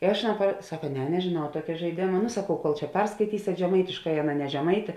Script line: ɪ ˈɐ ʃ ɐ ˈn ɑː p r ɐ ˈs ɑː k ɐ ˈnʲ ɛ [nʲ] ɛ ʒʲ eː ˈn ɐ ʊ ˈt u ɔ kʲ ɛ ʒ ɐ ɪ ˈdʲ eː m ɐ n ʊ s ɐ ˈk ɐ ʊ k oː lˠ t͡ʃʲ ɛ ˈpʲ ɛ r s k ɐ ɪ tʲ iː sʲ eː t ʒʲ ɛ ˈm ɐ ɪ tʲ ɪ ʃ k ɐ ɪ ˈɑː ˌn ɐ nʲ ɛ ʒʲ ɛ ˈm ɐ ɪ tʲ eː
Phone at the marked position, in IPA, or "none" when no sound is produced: nʲ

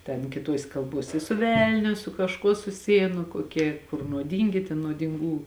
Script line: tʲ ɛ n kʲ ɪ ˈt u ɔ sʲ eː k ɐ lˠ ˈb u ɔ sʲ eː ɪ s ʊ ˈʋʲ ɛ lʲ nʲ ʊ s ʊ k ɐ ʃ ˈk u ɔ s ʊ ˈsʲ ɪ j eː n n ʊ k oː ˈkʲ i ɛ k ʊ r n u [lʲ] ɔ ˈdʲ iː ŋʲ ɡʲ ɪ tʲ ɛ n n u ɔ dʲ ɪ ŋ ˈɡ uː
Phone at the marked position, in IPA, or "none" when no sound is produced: none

